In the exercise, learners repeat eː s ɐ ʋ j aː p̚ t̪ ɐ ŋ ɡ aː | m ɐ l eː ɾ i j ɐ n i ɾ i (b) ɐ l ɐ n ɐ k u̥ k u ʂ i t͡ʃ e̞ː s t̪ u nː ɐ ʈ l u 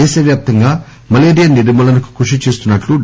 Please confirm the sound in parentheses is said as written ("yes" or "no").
no